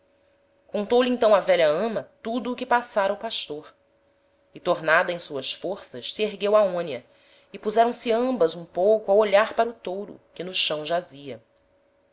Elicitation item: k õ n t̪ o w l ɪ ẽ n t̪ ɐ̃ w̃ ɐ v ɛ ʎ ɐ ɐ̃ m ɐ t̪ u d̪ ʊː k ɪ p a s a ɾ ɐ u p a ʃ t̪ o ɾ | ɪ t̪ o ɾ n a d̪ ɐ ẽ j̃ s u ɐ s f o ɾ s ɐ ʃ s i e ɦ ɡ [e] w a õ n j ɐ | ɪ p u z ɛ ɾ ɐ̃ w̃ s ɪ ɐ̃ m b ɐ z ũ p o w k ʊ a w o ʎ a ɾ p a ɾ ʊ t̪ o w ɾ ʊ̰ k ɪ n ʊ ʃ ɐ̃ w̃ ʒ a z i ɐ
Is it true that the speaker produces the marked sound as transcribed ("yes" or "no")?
yes